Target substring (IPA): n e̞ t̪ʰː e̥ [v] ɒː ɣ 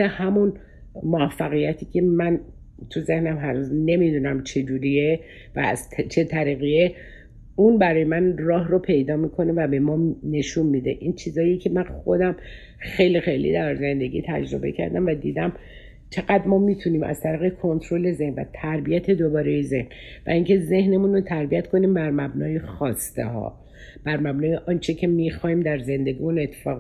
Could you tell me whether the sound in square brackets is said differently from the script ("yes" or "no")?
yes